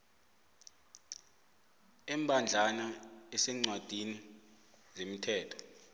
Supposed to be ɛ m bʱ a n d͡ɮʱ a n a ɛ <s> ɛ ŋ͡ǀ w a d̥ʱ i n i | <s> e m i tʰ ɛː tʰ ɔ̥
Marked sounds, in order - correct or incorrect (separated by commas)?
correct, incorrect